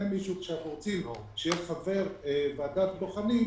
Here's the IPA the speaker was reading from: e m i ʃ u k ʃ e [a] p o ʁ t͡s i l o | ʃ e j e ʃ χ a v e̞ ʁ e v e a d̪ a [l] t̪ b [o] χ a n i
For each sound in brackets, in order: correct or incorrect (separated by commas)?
correct, incorrect, correct